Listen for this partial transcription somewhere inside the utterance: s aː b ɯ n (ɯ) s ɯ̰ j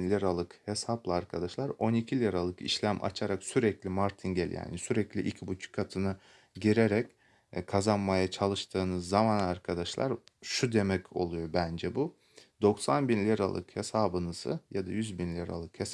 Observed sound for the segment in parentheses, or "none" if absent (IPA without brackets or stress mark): ɯ